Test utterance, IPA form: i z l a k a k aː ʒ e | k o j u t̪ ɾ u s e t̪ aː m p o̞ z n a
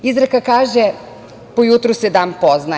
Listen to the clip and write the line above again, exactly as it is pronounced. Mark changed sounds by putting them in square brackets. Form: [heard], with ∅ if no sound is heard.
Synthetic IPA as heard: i z [ɾ] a k a k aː ʒ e | [p] o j u t̪ ɾ u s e [d̪] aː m p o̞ z n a

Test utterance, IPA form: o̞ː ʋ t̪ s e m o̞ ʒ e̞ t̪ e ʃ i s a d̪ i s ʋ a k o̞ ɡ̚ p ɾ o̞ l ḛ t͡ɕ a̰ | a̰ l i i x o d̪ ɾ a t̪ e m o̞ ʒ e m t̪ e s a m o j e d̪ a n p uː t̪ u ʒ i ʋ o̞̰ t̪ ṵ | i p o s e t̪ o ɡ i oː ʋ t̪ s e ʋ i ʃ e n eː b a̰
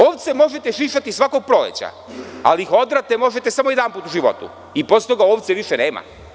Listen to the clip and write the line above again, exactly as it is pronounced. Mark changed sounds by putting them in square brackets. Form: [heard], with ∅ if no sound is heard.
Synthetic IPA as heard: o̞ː ʋ t̪ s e m o̞ ʒ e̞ t̪ e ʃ i [ʃ] a [t̪] i s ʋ a k o̞ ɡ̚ p ɾ o̞ l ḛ t͡ɕ a̰ | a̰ l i i x o d̪ ɾ a t̪ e m o̞ ʒ e [∅] t̪ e s a m o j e d̪ a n p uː t̪ u ʒ i ʋ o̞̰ t̪ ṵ | i p o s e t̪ o ɡ [a] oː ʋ t̪ s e ʋ i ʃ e n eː [m] a̰

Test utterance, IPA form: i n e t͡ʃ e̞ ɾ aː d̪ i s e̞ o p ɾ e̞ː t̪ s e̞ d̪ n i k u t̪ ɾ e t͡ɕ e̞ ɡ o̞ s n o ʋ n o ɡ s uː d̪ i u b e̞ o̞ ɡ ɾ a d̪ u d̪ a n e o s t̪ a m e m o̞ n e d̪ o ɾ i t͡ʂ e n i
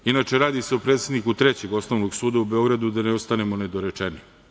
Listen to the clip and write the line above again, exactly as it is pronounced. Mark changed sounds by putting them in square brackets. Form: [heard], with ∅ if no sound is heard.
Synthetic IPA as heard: i n [a] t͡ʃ e̞ ɾ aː d̪ i s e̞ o p ɾ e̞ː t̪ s e̞ d̪ n i k u t̪ ɾ e t͡ɕ e̞ ɡ o̞ s n o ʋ n o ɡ s uː d̪ [a] u b e̞ o̞ ɡ ɾ a d̪ u d̪ a n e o s t̪ a [n] e m o̞ n e d̪ o ɾ [e] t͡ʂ e n i

